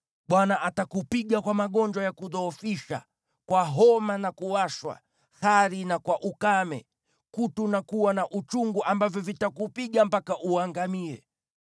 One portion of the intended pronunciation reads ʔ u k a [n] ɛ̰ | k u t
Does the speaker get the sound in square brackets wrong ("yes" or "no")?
yes